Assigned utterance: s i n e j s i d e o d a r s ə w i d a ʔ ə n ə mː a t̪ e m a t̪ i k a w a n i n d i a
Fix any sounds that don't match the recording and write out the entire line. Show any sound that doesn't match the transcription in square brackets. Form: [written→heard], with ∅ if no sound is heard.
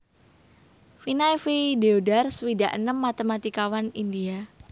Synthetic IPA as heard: [s→f] i n [e→a] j [s→f] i d e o d a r s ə w i d a ʔ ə n ə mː a t̪ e m a t̪ i k a w a n i n d i a